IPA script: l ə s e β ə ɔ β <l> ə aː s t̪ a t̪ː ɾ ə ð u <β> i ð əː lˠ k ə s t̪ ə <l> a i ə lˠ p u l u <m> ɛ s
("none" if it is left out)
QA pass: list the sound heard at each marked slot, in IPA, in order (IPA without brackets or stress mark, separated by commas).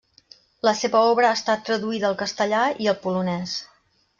ɾ, none, ʎ, n